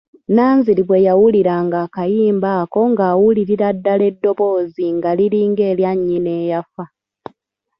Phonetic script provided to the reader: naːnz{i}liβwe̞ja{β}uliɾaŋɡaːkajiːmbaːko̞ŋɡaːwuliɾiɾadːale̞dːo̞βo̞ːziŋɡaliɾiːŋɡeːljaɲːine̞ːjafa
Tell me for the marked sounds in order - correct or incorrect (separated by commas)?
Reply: correct, incorrect